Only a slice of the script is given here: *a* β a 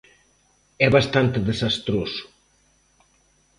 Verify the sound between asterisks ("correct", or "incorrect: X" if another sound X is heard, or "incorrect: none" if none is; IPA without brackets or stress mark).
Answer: incorrect: ɛ